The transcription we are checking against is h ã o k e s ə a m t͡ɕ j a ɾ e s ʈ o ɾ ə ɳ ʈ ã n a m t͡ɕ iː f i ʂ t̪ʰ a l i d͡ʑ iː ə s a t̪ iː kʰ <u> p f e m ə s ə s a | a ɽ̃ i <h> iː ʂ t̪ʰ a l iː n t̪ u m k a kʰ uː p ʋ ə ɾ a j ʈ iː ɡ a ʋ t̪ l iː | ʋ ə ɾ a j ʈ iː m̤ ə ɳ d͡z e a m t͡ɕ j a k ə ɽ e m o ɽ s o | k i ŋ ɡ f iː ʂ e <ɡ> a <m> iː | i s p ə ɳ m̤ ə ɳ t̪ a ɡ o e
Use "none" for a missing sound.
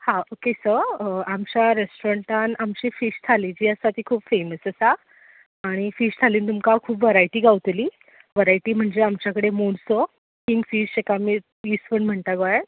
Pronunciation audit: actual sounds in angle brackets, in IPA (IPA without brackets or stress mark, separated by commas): uː, f, k, m